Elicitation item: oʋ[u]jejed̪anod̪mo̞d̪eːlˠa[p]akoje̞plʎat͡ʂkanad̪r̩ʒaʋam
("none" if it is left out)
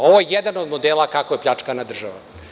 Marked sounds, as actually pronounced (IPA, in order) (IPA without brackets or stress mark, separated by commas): o, k